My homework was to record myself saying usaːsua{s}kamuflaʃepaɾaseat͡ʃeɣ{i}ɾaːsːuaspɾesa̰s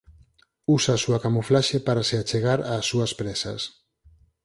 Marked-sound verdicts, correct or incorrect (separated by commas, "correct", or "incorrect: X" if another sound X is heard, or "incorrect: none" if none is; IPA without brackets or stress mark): incorrect: none, incorrect: a